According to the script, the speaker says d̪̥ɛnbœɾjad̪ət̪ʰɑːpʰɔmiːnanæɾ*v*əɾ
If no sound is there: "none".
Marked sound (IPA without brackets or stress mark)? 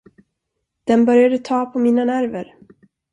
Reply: v